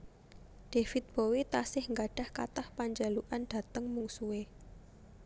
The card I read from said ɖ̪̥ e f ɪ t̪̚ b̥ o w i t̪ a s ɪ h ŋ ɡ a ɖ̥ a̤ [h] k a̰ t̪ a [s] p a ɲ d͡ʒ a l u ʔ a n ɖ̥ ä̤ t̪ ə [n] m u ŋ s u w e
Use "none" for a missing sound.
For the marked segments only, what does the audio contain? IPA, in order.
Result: h, h, ŋ

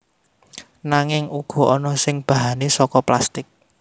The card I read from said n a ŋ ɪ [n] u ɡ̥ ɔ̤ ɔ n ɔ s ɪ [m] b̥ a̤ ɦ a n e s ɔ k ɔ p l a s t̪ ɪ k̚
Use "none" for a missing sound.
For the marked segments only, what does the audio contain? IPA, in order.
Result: ŋ, ŋ

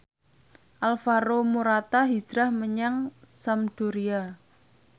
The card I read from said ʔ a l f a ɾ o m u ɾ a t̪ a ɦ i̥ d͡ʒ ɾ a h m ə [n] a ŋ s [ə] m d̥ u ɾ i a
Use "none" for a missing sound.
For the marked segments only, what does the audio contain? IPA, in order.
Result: ɲ, a

